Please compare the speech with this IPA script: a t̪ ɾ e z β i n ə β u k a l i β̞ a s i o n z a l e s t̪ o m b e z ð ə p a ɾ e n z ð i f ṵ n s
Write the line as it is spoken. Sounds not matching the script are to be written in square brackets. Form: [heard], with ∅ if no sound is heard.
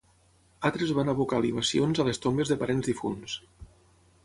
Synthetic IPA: a t̪ ɾ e z β [a] n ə β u k a l i β̞ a s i o n z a l e s t̪ o m b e z ð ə p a ɾ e n z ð i f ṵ n s